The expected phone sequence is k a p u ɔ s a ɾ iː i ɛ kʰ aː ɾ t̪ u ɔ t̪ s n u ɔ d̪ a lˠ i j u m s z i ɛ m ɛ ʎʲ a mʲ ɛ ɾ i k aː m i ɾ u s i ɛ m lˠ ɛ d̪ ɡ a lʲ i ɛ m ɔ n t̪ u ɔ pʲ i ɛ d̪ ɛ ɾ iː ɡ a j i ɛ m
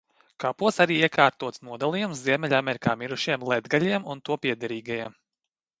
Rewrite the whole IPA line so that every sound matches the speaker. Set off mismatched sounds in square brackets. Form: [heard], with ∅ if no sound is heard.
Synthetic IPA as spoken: k a p u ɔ s a ɾ iː i ɛ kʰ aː ɾ t̪ u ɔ t̪ s n u ɔ d̪ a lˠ i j u m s z i ɛ m ɛ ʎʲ a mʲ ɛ ɾ i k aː m i ɾ u [ʃ] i ɛ m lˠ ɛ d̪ ɡ a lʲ i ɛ m [u] n t̪ u ɔ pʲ i ɛ d̪ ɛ ɾ iː ɡ a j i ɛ m